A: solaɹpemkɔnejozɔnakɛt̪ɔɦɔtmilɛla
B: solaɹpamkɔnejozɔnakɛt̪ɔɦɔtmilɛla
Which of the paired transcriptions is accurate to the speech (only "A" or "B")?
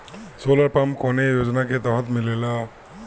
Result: B